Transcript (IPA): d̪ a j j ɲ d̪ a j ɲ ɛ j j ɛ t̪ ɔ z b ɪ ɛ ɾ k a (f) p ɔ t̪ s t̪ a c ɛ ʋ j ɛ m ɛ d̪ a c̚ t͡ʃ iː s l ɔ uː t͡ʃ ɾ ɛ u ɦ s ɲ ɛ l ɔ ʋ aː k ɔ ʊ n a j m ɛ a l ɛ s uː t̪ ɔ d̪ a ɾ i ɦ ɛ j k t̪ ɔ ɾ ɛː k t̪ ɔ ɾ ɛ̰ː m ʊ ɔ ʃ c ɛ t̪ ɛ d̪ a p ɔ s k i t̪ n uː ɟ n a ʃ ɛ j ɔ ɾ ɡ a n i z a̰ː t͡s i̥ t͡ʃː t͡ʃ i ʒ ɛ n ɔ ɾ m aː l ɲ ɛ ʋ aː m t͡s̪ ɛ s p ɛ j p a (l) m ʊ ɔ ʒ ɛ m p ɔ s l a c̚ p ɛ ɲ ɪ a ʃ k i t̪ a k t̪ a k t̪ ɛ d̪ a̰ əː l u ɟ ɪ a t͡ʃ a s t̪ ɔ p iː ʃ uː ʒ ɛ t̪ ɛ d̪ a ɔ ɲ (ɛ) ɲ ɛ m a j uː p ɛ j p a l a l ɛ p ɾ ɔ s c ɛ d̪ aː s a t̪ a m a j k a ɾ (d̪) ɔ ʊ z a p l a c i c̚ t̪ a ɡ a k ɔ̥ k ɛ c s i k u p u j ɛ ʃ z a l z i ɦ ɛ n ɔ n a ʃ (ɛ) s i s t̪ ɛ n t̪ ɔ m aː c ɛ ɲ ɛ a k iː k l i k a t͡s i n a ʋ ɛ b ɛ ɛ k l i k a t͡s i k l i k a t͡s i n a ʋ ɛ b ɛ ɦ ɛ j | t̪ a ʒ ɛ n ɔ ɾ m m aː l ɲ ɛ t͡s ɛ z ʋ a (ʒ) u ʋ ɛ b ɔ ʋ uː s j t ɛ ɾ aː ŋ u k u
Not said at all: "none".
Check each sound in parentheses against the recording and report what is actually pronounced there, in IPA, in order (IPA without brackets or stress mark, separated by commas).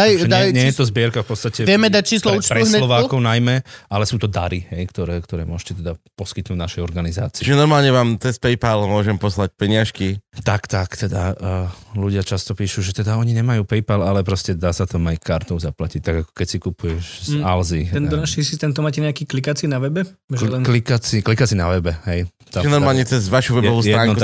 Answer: f, l, i, t̪, i, ʃ